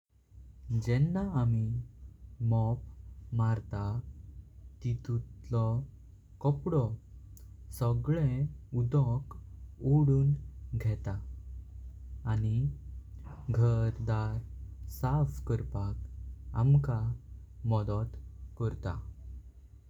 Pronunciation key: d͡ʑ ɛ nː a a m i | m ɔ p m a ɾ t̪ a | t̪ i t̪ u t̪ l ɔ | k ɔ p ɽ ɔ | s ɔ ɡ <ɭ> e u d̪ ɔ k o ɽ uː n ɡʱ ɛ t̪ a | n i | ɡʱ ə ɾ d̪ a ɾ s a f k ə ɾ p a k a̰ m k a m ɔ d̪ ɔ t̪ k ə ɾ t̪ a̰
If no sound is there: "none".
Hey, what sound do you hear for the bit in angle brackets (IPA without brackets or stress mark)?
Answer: ɭ